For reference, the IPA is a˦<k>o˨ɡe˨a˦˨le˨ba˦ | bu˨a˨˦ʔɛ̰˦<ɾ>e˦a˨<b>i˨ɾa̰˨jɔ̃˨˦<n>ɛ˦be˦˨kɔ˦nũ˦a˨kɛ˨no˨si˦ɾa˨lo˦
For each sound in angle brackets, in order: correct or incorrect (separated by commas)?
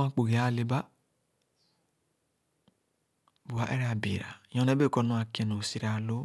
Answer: incorrect, correct, correct, correct